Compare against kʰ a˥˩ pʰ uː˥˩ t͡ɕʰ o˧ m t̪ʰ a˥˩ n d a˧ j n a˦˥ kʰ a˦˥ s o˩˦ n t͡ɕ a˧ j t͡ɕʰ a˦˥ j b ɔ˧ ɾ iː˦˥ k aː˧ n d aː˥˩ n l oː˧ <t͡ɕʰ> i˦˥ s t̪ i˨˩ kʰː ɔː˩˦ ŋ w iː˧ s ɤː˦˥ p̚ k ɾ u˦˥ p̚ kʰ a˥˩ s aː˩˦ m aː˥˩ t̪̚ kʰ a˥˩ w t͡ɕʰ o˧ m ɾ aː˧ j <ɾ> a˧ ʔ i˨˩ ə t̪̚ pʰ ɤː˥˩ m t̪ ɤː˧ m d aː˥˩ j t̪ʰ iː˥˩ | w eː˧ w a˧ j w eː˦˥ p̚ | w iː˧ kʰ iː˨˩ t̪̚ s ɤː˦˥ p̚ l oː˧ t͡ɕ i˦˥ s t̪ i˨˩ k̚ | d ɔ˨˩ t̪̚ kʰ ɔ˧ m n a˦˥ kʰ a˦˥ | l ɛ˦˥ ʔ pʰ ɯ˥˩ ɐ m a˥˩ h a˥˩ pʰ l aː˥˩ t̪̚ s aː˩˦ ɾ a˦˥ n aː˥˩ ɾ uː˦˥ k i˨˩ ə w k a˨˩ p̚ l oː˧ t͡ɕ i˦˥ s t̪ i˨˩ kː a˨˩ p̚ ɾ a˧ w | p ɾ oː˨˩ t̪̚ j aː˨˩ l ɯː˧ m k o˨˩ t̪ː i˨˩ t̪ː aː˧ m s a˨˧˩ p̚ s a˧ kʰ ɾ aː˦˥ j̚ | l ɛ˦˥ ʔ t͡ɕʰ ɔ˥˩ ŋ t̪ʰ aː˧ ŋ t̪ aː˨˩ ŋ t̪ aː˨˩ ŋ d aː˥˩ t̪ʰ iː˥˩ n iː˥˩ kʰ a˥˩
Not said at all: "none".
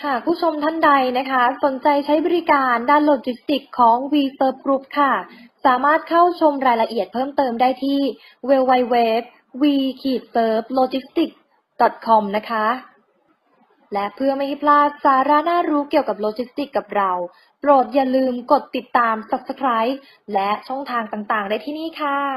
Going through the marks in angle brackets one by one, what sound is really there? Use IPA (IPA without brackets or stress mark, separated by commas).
t͡ɕ, l